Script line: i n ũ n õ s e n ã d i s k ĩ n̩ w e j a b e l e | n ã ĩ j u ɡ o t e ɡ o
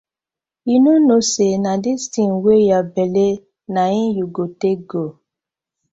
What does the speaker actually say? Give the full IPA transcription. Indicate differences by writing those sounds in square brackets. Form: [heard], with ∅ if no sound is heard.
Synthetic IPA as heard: i n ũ n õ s e n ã d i s [t] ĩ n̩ w e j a b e l e | n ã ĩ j u ɡ o t e ɡ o